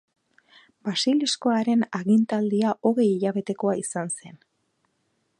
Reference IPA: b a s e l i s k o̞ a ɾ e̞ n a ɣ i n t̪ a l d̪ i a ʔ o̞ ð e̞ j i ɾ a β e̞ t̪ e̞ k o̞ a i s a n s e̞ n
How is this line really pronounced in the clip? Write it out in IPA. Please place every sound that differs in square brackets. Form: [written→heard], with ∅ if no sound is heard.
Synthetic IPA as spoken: b a s [e→i] l i s k o̞ a ɾ e̞ n a ɣ i n t̪ a l d̪ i a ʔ o̞ [ð→ɣ] e̞ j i [ɾ→ʎ] a β e̞ t̪ e̞ k o̞ a i s a n s e̞ n

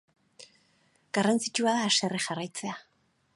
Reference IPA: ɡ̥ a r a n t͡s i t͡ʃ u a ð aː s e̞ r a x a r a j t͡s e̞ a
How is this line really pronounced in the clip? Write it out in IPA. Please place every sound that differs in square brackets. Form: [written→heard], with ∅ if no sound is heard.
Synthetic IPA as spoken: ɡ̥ a r a n t͡s i t͡ʃ u a ð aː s e̞ r [a→e] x a r a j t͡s e̞ a

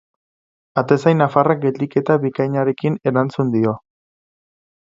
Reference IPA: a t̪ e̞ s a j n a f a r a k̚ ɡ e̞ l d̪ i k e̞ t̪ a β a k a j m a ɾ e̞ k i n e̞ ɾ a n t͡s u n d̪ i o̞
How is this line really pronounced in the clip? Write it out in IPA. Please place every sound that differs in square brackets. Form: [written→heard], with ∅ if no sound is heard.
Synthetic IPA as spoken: a t̪ e̞ s a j n a f a r a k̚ ɡ e̞ l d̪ i k e̞ t̪ a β [a→i] k a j [m→ɲ] a ɾ e̞ k i n e̞ ɾ a n t͡s u n d̪ i o̞

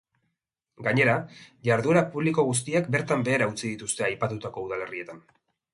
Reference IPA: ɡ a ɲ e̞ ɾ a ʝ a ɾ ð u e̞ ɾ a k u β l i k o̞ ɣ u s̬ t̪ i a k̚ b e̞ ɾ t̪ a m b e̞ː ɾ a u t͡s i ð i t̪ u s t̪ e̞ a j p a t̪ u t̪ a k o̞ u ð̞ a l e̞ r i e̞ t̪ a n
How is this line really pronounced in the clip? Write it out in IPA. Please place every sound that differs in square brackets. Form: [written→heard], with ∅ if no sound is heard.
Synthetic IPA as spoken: ɡ a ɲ e̞ ɾ a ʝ a ɾ ð u e̞ ɾ a [k→p] u β l i k o̞ ɣ u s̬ t̪ i a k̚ b e̞ ɾ t̪ a m b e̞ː ɾ a u t͡s i ð i t̪ u s t̪ e̞ a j p a t̪ u t̪ a k o̞ u ð̞ a l e̞ r i e̞ t̪ a n

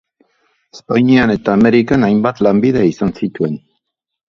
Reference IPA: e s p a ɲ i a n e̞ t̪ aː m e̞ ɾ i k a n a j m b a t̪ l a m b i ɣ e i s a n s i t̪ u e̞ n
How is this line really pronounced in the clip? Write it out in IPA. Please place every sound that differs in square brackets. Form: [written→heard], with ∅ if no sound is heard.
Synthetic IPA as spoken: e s p a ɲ i a n e̞ t̪ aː m e̞ ɾ i k a n a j m b a t̪ l a m b i [ɣ→ð] e i s a n s i t̪ u e̞ n

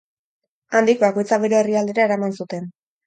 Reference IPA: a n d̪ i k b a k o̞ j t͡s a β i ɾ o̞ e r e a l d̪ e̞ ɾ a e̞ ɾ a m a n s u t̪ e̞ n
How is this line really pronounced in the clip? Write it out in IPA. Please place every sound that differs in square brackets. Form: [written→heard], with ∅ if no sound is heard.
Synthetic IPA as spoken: a n d̪ i k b a k o̞ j t͡s a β [i→e] ɾ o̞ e r [e→i] a l d̪ e̞ ɾ a e̞ ɾ a m a n s u t̪ e̞ n

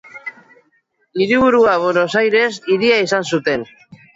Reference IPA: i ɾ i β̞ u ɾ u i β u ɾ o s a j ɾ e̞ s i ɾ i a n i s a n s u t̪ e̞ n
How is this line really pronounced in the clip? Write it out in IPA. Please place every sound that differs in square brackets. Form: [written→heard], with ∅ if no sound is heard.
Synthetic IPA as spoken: i ɾ i β̞ u ɾ u [i→a] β [u→o] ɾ o s a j ɾ e̞ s i ɾ i a [n→∅] i s a n s u t̪ e̞ n

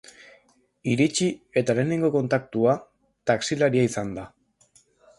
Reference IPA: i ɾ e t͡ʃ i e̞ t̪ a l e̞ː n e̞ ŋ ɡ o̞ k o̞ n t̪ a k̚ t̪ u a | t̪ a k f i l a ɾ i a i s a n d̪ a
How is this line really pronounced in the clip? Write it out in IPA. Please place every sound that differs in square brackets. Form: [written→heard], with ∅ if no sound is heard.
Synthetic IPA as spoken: i ɾ [e→i] t͡ʃ i e̞ t̪ a l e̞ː n e̞ ŋ ɡ o̞ k o̞ n t̪ a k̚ t̪ u a | t̪ a k [f→s] i l a ɾ i a i s a n d̪ a

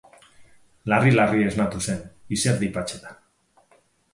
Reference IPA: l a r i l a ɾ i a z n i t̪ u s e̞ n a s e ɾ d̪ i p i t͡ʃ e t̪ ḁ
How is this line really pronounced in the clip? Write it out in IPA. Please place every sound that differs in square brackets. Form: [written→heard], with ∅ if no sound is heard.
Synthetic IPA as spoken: l a r i l a [ɾ→r] i [a→e] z n [i→a] t̪ u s e̞ n [a→i] s e ɾ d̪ i p [i→a] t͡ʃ e t̪ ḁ

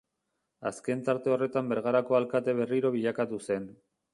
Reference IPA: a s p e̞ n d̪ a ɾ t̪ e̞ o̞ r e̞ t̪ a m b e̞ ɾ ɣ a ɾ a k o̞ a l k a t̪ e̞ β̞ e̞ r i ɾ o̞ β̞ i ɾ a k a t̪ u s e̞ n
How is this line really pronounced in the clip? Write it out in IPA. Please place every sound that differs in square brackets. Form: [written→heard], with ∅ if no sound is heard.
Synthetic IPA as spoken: a s [p→k] e̞ n [d̪→t̪] a ɾ t̪ e̞ o̞ r e̞ t̪ a m b e̞ ɾ ɣ a ɾ a k o̞ a l k a t̪ e̞ β̞ e̞ r i ɾ o̞ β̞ i [ɾ→ʎ] a k a t̪ u s e̞ n

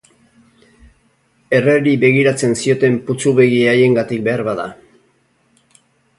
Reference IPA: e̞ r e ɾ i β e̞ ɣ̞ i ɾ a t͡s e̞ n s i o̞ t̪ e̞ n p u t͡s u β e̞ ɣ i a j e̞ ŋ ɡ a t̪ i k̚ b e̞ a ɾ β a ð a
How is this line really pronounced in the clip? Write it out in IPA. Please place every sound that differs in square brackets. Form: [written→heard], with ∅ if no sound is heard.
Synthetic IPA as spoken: e̞ r e ɾ i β e̞ ɣ̞ i ɾ a t͡s e̞ n s i o̞ t̪ e̞ [n→m] p u t͡s u β e̞ ɣ i a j e̞ ŋ ɡ a t̪ i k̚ b e̞ a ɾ β a ð a

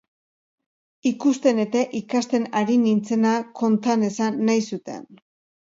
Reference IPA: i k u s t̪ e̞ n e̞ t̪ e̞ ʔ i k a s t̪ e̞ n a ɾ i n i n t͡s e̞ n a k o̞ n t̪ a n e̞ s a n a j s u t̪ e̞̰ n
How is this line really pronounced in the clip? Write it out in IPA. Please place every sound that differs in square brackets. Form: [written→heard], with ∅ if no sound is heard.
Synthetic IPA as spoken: i k u s t̪ e̞ n e̞ t̪ e̞ ʔ i k a s t̪ e̞ n a ɾ i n i n t͡s e̞ n a k o̞ n t̪ a n e̞ s a [n→nː] a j s u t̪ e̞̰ n

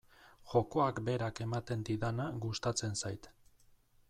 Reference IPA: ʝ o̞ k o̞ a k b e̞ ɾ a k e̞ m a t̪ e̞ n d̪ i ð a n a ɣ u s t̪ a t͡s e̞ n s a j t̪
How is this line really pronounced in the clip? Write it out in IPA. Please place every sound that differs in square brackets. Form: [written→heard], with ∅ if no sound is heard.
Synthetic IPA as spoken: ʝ o̞ k o̞ a k b e̞ ɾ a k e̞ m a t̪ e̞ n d̪ i ð a n a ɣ u s t̪ a t͡s e̞ n s a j t̪

